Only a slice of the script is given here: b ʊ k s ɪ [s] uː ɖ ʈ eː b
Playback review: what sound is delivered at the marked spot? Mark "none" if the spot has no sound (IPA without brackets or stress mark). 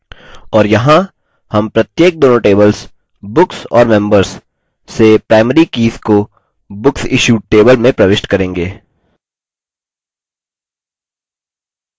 ʃ